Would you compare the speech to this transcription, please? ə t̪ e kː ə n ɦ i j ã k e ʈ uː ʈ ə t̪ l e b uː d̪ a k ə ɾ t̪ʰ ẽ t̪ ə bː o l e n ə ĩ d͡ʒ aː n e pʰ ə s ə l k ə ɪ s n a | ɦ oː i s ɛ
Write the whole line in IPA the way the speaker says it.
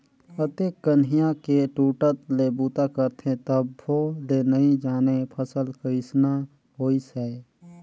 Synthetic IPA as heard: ə t̪ e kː ə n ɦ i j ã k e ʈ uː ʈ ə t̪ l e b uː t̪ a k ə ɾ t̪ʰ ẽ t̪ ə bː o l e n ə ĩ d͡ʒ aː n e pʰ ə s ə l k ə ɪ s n a | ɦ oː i s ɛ